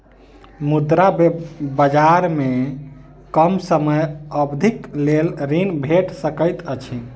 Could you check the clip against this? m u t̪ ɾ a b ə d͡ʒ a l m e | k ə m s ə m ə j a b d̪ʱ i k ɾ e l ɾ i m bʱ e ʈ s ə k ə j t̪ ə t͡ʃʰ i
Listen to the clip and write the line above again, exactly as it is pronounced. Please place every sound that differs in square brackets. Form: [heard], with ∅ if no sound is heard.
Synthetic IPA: m u [d̪] ɾ a b ə d͡ʒ a [ɾ] m e | k ə m s ə m ə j [ə] b d̪ʱ i k [l] e l ɾ i [n] bʱ e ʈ s ə k ə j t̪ ə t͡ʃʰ i